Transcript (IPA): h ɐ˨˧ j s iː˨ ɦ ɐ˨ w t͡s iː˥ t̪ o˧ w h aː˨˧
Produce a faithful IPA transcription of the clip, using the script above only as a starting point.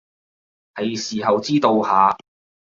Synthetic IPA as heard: h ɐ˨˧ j s iː˨ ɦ ɐ˨ w t͡s iː˥ t̪ o˧ w h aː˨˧